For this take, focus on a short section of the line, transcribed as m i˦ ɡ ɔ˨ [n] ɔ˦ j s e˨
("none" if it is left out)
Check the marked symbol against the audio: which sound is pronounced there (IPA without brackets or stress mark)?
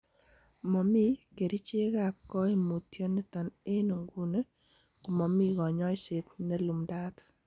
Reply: ɲ